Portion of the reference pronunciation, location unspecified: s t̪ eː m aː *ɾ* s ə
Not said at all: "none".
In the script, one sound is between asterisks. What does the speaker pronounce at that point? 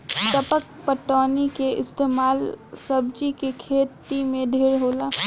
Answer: l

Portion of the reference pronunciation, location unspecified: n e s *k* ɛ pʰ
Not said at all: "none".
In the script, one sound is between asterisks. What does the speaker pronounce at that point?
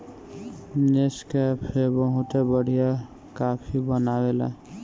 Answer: k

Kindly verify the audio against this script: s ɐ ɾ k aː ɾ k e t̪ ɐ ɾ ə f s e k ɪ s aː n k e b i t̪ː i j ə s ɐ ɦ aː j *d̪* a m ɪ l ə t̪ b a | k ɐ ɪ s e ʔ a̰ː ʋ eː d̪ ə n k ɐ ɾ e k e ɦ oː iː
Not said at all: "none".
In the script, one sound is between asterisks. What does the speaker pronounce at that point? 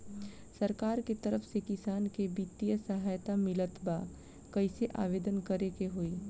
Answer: t̪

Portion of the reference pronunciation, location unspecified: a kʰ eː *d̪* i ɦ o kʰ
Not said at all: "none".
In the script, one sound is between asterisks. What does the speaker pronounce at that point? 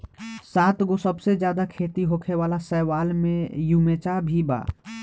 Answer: t̪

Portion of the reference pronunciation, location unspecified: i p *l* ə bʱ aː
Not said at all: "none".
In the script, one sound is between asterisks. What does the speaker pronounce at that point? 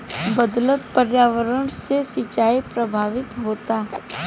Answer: ɾ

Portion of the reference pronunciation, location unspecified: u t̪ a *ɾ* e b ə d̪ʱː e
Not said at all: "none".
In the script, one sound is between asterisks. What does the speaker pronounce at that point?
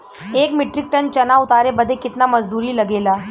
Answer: ɾ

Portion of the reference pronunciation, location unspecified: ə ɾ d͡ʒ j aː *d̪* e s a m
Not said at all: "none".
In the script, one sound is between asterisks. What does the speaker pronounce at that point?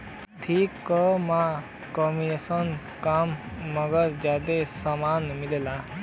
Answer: d̪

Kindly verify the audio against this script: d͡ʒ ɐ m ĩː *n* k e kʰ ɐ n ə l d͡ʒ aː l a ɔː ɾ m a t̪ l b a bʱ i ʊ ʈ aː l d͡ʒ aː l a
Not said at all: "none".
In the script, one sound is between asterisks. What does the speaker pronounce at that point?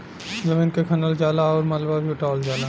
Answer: n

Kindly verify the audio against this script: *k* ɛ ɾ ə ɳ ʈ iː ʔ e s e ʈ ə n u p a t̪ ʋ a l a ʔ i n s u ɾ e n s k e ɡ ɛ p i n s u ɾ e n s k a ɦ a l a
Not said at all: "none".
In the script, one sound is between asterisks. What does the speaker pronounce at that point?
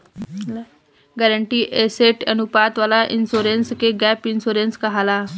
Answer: ɡ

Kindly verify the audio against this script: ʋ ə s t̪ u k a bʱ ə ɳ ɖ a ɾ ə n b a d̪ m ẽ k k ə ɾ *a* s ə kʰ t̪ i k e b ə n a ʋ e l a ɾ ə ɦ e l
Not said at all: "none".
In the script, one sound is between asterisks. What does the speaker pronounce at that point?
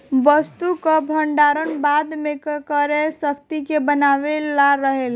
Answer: e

